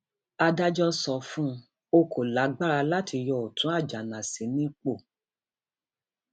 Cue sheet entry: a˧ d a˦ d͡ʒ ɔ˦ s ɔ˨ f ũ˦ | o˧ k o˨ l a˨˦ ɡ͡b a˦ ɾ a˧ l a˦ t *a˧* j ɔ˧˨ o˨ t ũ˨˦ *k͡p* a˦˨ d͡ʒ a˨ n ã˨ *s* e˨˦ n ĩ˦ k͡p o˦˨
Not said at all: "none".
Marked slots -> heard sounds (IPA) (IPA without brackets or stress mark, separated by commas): i˧, none, s